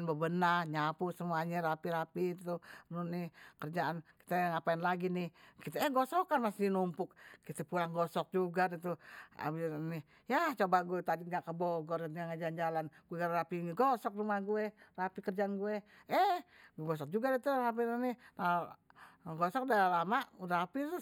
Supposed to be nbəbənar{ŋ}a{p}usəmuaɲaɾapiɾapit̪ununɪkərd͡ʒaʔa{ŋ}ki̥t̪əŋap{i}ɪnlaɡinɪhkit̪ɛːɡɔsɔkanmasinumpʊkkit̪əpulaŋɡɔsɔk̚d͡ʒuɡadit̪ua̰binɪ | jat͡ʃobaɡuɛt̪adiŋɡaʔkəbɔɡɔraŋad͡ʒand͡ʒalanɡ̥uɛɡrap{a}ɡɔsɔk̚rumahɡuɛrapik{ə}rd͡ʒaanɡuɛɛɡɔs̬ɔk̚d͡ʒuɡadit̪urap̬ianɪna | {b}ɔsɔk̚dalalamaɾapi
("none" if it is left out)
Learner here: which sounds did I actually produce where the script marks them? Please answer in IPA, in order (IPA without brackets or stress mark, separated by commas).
ɲ, p, n, a, i, ə, ɡ